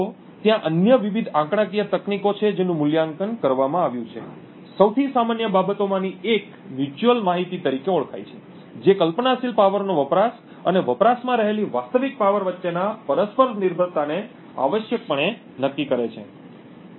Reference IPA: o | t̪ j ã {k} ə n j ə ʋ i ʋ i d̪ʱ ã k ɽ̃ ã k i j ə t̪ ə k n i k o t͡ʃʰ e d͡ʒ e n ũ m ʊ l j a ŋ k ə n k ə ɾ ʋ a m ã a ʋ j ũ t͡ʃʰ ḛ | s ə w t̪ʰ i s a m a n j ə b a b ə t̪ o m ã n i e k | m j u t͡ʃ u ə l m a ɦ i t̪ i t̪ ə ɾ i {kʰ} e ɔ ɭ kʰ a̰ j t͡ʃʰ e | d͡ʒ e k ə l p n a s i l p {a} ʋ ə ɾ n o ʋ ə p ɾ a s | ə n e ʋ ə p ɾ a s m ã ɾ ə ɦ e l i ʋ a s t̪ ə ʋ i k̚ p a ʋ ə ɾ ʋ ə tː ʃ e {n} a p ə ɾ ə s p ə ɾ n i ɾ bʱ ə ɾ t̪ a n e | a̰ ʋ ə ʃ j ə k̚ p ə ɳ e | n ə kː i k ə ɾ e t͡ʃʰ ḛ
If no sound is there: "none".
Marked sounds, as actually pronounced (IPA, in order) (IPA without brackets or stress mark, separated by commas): ʔ, k, a, n